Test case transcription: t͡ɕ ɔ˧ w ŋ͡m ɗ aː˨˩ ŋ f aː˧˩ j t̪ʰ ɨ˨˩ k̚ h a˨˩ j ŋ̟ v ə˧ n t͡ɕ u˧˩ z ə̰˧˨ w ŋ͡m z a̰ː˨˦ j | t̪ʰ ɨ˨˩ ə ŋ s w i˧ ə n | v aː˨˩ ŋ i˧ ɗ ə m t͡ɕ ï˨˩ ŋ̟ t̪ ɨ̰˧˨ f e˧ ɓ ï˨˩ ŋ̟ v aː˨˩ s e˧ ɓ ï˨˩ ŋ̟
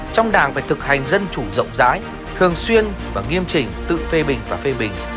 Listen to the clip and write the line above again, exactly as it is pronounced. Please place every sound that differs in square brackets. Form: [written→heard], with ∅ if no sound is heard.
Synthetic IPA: t͡ɕ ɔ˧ w ŋ͡m ɗ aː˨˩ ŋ f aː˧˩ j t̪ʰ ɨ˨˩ k̚ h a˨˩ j ŋ̟ [v→z] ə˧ n t͡ɕ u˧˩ z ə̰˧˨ w ŋ͡m z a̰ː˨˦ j | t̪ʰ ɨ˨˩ ə ŋ s w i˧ ə n | v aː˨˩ ŋ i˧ [ɗ→∅] ə m t͡ɕ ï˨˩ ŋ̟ t̪ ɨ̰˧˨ f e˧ ɓ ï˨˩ ŋ̟ v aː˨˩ [s→f] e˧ ɓ ï˨˩ ŋ̟